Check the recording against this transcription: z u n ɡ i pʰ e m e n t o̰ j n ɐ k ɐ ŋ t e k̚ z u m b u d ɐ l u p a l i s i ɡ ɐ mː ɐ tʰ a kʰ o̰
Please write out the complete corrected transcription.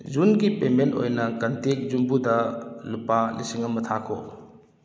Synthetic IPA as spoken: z u n ɡ i p e m e n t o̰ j n ɐ k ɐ n t e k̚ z u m b u d ɐ l u p a l i s i ŋ ɐ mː ɐ tʰ a kʰ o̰